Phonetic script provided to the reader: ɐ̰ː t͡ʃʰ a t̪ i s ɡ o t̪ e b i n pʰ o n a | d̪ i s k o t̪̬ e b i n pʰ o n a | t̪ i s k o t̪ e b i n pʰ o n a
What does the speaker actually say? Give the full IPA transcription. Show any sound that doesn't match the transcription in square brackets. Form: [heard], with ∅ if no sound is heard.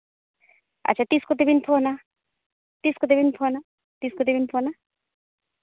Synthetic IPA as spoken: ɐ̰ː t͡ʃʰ a t̪ i s [k] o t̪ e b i n pʰ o n a | [t̪] i s k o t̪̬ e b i n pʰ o n a | t̪ i s k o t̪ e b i n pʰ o n a

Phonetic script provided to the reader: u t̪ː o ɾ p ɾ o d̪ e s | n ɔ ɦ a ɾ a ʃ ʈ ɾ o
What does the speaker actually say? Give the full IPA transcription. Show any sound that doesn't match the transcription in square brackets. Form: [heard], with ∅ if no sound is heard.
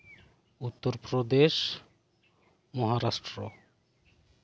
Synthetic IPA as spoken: u t̪ː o ɾ p ɾ o d̪ e [ʃ] | [m] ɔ ɦ a ɾ a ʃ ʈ ɾ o

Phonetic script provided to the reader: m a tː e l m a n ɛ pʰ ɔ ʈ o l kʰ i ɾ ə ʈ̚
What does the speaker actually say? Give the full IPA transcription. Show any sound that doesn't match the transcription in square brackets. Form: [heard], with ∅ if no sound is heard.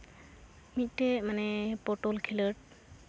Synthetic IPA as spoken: m [i] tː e [∅] m a n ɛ [p] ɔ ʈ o l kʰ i [l] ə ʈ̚

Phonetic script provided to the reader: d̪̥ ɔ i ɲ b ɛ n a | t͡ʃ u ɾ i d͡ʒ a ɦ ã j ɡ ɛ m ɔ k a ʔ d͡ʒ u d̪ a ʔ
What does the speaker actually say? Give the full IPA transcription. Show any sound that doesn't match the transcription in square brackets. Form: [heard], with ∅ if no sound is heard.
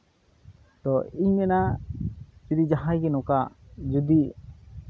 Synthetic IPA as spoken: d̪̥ ɔ i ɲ [m] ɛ n a | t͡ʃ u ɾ i d͡ʒ a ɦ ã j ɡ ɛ [n] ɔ k a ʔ d͡ʒ u d̪ [i] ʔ

